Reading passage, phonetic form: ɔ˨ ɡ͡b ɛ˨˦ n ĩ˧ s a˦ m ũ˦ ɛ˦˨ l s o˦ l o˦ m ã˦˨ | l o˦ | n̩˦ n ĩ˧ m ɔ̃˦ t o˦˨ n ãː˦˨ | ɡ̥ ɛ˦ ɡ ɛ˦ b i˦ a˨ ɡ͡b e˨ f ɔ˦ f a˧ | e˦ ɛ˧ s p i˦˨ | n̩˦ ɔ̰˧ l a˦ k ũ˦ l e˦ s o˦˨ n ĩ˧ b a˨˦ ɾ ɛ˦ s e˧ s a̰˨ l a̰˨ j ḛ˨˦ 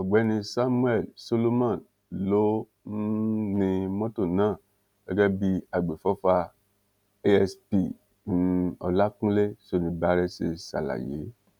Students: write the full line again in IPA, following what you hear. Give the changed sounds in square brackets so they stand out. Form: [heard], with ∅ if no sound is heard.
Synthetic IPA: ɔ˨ ɡ͡b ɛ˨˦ n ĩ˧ s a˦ m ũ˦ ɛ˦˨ l s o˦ l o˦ m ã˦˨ | l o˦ | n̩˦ n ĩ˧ m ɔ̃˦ t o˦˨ n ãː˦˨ | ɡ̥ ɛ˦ ɡ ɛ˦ b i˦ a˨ ɡ͡b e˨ f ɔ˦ f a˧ | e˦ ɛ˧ s p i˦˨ | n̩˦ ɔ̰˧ l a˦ k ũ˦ l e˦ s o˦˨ n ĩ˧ b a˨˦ ɾ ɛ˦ s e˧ s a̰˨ l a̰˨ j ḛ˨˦